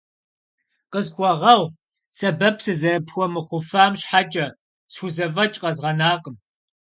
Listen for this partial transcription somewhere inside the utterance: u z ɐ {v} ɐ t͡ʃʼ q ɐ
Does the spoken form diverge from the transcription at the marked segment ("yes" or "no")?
no